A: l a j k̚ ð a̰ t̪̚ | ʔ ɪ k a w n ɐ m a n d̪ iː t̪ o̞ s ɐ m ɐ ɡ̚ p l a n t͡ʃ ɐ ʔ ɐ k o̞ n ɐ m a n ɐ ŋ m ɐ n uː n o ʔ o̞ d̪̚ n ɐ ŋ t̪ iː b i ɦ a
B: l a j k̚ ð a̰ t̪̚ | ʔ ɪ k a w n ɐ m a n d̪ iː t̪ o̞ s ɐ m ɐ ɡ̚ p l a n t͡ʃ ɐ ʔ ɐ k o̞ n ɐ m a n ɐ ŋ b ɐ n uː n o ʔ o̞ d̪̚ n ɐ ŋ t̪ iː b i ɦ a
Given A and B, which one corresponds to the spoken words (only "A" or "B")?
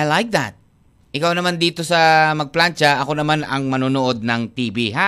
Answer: A